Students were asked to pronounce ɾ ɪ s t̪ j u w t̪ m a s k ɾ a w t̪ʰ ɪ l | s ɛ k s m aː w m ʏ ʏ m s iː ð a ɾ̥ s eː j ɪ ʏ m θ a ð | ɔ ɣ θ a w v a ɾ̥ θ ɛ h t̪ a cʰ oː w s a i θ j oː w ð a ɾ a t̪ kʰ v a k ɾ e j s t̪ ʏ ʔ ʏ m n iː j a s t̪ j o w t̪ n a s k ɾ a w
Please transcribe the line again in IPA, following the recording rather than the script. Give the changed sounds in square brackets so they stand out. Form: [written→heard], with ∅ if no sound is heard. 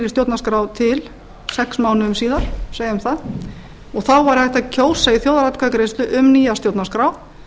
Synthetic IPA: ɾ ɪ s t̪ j [u→o] w t̪ [m→n] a s k ɾ a w t̪ʰ ɪ l | s ɛ k s m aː w [m→n] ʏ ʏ m s iː ð a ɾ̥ s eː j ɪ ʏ m θ a ð | ɔ ɣ θ a w v a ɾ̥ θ ɛ h t̪ a cʰ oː w s a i θ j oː w ð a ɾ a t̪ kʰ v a k ɾ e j s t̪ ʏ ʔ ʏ m n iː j a s t̪ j o w t̪ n a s k ɾ a w

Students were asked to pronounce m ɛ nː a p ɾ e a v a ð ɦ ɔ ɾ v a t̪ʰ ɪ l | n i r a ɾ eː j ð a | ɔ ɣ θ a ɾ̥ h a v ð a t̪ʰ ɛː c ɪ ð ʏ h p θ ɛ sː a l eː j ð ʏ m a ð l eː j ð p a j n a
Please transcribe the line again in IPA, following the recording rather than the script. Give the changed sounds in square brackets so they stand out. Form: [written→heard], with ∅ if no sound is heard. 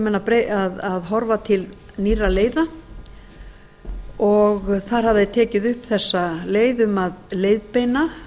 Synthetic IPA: m ɛ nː a p ɾ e a [v→ð] a ð ɦ ɔ ɾ v a t̪ʰ ɪ l | n i r a [ɾ→l] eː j ð a | ɔ ɣ θ a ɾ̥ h a v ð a t̪ʰ ɛː c ɪ ð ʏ h p θ ɛ sː a l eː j ð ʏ m a ð l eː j ð p [a→e] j n a

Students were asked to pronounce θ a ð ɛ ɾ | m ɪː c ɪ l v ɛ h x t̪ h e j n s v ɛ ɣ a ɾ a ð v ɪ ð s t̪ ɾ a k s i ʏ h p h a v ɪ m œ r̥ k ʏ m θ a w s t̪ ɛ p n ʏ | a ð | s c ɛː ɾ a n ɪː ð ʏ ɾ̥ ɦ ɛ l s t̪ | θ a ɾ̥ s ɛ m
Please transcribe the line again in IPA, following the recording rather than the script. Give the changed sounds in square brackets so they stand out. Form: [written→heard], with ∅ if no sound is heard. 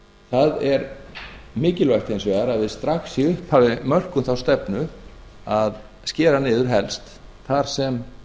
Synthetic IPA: θ a ð ɛ ɾ | m ɪː c ɪ l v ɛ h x t̪ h e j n s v ɛ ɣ a ɾ a ð v ɪ ð s t̪ ɾ a [k→x] s i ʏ h p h a v ɪ m œ r̥ k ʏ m θ a w s t̪ ɛ p n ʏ | a ð | s c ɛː ɾ a n ɪː ð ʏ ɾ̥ ɦ ɛ l s t̪ | θ a ɾ̥ s ɛ m

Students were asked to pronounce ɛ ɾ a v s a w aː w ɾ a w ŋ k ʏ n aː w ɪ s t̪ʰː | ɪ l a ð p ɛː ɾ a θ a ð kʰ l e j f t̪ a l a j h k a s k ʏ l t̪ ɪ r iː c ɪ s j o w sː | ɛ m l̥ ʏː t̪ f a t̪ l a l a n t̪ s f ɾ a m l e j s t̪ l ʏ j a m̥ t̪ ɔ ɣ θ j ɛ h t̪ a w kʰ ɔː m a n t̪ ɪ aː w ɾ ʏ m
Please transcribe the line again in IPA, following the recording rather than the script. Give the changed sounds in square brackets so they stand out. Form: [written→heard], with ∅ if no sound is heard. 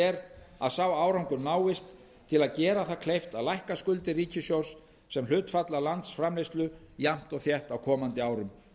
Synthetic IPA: ɛ ɾ a [v→ð] s a w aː w ɾ a w ŋ k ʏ n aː w ɪ s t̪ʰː | ɪ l a ð [p→c] ɛː ɾ a θ a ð kʰ l e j f t̪ a l a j h k a s k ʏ l t̪ ɪ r iː c ɪ s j o w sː | ɛ m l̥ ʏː t̪ f a t̪ l a l a n t̪ s f ɾ a m l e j s t̪ l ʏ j a m̥ t̪ ɔ ɣ θ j ɛ h t̪ a w kʰ ɔː m a n t̪ ɪ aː w ɾ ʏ m

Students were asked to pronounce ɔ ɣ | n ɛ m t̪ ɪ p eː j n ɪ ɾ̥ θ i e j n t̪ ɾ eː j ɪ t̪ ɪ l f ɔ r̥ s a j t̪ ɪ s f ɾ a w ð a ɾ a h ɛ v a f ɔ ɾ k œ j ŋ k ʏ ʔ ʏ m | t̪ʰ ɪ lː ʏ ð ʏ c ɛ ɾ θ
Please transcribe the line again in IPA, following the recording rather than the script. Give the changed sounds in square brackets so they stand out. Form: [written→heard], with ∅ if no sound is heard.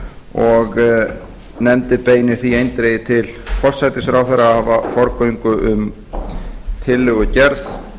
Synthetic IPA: ɔ ɣ | n ɛ m t̪ ɪ p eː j n ɪ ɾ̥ θ i e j n t̪ ɾ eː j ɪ [t̪→t̪ʰ] ɪ l f ɔ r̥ s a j t̪ ɪ s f ɾ a w [ð→θ] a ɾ a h [ɛ→a] v a f ɔ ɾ k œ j ŋ k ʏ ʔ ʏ m | t̪ʰ ɪ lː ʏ [ð→ɣ] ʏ c ɛ ɾ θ

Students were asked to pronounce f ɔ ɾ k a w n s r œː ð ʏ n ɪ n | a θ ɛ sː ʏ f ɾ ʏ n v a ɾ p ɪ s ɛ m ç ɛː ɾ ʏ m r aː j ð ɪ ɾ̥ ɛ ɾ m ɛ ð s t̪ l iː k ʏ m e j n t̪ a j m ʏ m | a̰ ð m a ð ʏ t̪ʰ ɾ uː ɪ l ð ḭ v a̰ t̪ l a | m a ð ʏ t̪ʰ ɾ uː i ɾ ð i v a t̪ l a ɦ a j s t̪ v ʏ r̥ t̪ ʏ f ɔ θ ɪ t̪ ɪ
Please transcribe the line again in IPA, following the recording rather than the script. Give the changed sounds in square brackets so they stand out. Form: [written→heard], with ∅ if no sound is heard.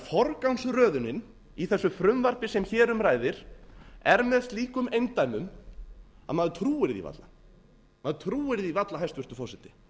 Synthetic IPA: f ɔ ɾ k a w n s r œː ð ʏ n ɪ n | [a→i] θ ɛ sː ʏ f ɾ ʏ [n→m] v a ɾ p ɪ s ɛ m ç ɛː ɾ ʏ m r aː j ð ɪ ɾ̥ ɛ ɾ m ɛ ð s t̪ l iː k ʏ m e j n t̪ a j m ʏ m | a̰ ð m a ð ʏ t̪ʰ ɾ uː ɪ [l→ɾ] ð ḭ v a̰ t̪ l a | m a ð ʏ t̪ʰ ɾ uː [i→ɪ] ɾ ð i v a t̪ l a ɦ a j s t̪ v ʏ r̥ t̪ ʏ f ɔ [θ→s] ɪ t̪ ɪ

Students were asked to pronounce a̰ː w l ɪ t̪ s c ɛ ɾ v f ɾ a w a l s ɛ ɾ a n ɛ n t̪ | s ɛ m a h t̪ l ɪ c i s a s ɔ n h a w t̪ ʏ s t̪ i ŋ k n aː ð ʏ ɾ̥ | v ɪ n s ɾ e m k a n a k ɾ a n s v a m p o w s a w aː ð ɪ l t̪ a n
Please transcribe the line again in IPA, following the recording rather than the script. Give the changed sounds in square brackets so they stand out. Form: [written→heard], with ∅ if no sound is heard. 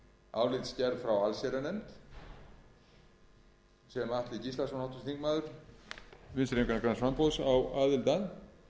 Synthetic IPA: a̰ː w l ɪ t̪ s c ɛ ɾ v f ɾ a w a l s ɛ ɾ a n ɛ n t̪ | s ɛ m a h t̪ l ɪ c i s a s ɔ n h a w t̪ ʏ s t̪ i ŋ k [n→m] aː ð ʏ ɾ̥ | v ɪ n s ɾ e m k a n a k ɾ a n s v a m p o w s a w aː ð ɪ l t̪ a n

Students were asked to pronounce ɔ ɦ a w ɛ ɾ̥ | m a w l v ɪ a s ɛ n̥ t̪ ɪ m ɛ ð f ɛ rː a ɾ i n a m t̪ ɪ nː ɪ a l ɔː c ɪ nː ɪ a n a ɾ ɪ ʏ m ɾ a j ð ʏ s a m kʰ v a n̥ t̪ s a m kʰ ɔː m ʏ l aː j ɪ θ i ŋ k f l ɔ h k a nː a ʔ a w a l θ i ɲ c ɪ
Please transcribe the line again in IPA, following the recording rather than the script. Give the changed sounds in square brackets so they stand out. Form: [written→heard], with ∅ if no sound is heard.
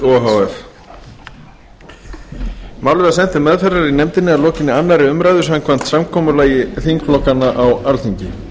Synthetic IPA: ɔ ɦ a w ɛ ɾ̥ | m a w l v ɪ a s ɛ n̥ t̪ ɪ m ɛ ð f ɛ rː a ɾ i n [a→ɛ] m t̪ ɪ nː ɪ a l ɔː c ɪ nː ɪ a [n→nː] a ɾ ɪ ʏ m ɾ a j ð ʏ s a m kʰ v a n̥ t̪ s a m kʰ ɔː m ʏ l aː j ɪ θ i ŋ k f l ɔ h k a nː a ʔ a w a l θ i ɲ c ɪ

